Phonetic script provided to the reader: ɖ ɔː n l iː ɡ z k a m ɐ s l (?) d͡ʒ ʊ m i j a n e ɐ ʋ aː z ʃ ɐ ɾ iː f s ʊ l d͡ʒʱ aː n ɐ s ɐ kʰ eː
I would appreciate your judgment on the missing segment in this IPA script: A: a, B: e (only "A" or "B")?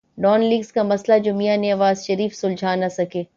A